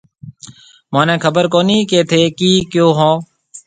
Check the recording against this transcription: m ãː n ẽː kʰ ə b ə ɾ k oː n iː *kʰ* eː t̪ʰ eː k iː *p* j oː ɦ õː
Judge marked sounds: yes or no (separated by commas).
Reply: no, no